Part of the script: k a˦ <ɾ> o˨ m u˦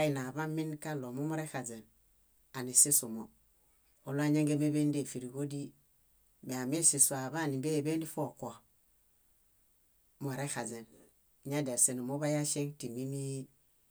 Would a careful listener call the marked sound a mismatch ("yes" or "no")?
yes